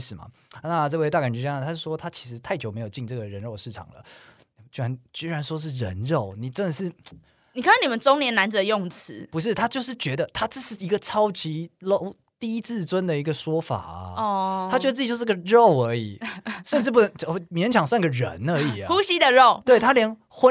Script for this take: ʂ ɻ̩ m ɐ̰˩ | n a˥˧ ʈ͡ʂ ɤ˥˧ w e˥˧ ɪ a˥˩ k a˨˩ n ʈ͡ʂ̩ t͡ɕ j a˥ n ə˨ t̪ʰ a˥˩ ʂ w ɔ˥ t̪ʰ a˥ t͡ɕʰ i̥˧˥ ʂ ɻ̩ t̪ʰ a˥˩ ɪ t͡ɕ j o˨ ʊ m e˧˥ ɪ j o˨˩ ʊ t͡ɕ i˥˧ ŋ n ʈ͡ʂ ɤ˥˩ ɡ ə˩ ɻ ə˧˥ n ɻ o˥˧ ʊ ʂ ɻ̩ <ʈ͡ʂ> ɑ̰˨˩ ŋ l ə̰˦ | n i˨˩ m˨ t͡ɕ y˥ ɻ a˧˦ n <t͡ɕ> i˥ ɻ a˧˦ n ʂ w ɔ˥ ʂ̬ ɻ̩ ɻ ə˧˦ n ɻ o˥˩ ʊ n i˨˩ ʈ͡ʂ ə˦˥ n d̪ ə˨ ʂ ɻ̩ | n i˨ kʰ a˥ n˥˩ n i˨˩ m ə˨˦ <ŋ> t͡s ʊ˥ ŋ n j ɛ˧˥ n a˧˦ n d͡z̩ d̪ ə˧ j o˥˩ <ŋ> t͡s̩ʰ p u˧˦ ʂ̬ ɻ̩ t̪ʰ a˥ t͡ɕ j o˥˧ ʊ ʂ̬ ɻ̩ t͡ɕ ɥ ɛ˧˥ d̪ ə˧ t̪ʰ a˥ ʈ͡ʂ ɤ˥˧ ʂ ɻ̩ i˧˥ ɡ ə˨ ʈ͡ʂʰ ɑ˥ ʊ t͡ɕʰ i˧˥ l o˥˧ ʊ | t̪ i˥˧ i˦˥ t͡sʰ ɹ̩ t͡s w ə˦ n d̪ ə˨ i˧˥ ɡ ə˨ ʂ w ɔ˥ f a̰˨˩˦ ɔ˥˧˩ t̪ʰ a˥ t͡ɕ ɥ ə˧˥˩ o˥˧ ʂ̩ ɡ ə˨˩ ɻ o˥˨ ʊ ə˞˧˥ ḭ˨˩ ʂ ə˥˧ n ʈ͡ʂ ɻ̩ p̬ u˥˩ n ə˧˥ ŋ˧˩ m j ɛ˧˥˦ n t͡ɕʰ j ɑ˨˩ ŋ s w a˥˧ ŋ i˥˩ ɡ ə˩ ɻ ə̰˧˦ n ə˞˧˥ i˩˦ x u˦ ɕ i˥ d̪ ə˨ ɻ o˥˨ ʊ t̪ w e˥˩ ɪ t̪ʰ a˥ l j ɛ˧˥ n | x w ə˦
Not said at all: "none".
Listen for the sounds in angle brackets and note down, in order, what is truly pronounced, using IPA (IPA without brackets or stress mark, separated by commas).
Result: ʈ͡ʂʰ, t͡ɕ, n, ŋ